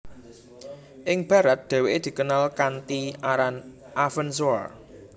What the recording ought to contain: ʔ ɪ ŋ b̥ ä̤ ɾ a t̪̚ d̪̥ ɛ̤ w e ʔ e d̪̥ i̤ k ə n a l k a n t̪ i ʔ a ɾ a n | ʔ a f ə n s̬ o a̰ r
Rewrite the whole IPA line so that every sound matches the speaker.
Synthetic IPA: ʔ ɪ ŋ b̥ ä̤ ɾ a t̪̚ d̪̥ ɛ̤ w e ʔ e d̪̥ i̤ k ə n a l k a n t̪ i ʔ a ɾ a n | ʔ a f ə n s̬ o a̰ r